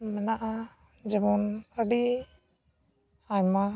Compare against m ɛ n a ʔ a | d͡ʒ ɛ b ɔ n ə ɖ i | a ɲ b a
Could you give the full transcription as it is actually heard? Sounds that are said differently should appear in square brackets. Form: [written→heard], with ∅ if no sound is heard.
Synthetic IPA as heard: m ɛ n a ʔ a | d͡ʒ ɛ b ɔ n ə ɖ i | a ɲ [b→m] a